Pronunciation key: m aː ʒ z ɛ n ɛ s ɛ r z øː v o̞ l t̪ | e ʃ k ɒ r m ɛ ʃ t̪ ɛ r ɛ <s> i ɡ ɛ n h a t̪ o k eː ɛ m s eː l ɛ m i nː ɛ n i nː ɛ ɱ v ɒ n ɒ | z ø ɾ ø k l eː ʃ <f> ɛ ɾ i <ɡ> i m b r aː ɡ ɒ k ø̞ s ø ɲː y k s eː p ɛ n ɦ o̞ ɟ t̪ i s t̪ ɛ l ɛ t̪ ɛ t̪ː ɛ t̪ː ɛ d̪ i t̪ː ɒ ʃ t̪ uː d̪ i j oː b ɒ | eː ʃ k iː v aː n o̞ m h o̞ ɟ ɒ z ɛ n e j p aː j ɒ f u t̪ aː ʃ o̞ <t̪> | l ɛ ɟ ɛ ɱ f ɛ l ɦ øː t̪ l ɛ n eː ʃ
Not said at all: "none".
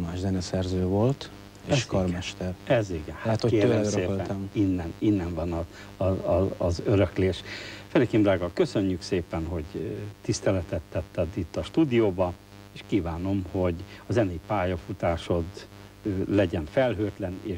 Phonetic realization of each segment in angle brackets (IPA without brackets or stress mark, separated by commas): z, f, k, d̪